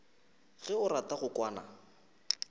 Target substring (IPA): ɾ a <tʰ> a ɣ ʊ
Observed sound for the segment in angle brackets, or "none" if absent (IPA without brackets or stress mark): t